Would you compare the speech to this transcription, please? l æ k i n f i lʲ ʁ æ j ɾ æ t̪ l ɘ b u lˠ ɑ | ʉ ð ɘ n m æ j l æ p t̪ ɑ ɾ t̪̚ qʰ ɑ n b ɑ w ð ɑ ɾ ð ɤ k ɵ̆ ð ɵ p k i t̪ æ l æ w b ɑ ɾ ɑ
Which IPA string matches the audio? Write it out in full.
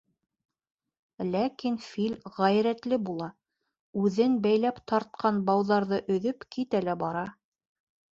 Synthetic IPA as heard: l æ k i n f i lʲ ʁ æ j ɾ æ t̪ l ɘ b u lˠ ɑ | ʉ ð ɘ n b æ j l æ p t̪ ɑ ɾ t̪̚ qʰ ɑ n b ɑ w ð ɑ ɾ ð ɤ ʔ ɵ̆ ð ɵ p k i t̪ æ l æ b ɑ ɾ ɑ